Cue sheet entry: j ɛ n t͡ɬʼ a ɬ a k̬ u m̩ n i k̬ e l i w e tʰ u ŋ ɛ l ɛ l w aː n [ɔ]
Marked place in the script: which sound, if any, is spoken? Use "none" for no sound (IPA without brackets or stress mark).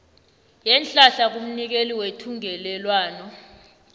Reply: ɔ